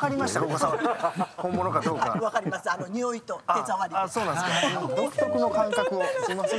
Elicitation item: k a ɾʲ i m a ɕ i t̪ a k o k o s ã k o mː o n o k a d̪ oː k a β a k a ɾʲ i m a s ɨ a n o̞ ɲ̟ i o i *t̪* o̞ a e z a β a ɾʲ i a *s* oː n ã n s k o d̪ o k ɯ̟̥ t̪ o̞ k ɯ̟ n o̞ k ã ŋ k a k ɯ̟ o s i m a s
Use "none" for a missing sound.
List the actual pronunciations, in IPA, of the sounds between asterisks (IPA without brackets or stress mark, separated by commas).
t̪, s